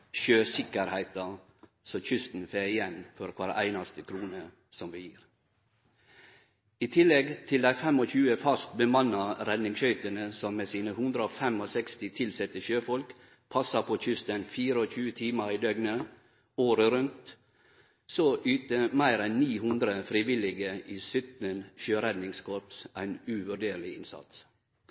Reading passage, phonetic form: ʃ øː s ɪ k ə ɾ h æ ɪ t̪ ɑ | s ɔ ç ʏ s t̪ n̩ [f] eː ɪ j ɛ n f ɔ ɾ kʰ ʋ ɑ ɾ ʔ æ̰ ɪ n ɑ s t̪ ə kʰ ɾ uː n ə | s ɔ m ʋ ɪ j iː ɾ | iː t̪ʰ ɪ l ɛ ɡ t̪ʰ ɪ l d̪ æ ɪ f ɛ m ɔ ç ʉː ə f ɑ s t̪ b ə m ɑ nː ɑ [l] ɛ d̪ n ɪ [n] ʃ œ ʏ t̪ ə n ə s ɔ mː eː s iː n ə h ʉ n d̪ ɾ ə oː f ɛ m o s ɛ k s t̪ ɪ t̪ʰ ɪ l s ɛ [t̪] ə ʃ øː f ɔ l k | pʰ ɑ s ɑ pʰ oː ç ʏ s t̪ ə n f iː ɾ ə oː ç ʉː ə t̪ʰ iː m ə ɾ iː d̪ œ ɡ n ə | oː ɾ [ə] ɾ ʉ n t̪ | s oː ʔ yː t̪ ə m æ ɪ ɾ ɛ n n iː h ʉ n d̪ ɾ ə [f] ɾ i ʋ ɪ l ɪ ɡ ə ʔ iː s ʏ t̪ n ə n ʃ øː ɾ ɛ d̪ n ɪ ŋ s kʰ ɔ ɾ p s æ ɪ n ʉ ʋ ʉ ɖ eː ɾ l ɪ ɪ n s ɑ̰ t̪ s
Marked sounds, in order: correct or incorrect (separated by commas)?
correct, incorrect, incorrect, correct, correct, correct